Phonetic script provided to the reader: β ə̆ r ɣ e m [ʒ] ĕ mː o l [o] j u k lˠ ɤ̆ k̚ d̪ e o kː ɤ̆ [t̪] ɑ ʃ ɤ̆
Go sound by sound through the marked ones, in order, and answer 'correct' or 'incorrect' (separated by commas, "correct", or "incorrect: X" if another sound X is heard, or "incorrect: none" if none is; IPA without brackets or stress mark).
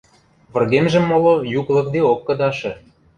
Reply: correct, correct, incorrect: d̪